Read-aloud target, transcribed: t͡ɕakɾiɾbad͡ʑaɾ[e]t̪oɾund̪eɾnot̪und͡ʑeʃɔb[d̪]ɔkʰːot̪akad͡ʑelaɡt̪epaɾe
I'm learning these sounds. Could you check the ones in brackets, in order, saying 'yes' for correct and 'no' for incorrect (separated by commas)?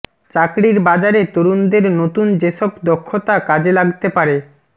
yes, yes